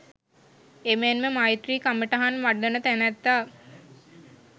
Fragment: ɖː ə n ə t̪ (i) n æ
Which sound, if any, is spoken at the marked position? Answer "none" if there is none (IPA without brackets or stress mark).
æ